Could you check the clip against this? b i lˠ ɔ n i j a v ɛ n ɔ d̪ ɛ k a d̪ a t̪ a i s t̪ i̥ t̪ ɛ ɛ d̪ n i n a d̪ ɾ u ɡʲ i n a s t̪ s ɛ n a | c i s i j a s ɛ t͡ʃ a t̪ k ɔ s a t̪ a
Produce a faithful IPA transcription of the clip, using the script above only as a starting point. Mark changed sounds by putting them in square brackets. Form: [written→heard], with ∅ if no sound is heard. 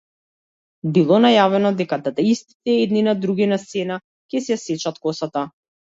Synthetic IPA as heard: b i lˠ ɔ n [i→a] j a v ɛ n ɔ d̪ ɛ k a d̪ a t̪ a i s t̪ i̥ t̪ ɛ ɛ d̪ n i n a d̪ ɾ u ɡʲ i n a s t̪ s ɛ n a | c [i→ɛ] s [i→ɛ] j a s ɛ t͡ʃ a t̪ k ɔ s a t̪ a